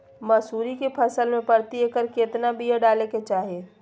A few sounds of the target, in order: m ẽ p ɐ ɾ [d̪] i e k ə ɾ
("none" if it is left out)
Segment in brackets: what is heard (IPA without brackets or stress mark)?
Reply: t̪